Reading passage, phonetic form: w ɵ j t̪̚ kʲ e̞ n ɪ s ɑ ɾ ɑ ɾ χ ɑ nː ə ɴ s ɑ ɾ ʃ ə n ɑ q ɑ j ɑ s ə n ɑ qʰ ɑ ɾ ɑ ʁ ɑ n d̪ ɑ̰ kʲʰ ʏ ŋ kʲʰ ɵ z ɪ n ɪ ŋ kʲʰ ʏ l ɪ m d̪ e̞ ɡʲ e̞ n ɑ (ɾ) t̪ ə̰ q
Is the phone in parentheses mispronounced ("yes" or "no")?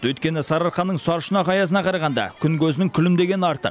no